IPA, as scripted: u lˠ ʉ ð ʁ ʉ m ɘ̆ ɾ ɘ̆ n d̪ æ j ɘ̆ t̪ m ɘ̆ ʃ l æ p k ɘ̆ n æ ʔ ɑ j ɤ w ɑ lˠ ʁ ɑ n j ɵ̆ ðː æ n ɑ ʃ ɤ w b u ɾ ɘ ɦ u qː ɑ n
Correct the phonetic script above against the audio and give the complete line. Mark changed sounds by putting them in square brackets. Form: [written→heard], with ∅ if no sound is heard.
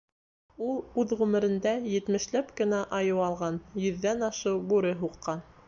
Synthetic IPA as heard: u lˠ ʉ ð ʁ ʉ m ɘ̆ ɾ ɘ̆ n d̪ æ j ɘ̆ t̪ m ɘ̆ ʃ l æ p k ɘ̆ n æ ʔ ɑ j ɤ w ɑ lˠ ʁ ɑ n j ɵ̆ ðː æ n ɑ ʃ ɤ w b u ɾ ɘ ɦ u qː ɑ n

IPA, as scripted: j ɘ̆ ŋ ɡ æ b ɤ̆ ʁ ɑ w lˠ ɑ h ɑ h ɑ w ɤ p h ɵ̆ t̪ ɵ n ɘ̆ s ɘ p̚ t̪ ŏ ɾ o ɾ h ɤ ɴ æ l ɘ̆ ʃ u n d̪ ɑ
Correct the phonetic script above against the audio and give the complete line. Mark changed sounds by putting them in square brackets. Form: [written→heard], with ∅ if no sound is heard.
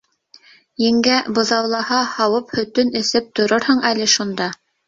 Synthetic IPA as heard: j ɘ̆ ŋ ɡ æ b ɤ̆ [ʁ→ð] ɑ w lˠ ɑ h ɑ h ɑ w ɤ p h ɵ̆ t̪ ɵ n ɘ̆ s ɘ p̚ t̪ ŏ ɾ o ɾ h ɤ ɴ æ l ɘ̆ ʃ u n d̪ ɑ

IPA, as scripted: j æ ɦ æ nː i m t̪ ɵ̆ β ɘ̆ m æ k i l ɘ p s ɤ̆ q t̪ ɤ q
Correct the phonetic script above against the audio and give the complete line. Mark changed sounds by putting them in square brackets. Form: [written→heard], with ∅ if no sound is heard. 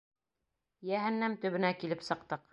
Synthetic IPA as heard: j æ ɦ æ nː [i→æ] m t̪ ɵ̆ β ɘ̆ [m→n] æ k i l ɘ p s ɤ̆ q t̪ ɤ q

